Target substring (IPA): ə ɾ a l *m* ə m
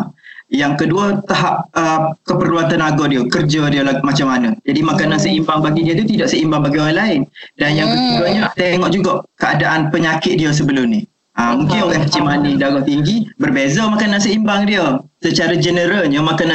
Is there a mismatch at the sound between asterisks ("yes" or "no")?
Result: yes